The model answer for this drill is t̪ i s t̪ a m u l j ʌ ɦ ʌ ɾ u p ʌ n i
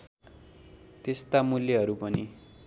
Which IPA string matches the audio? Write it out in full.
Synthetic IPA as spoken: t̪ e s t̪ a m u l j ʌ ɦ ʌ ɾ u p ʌ n i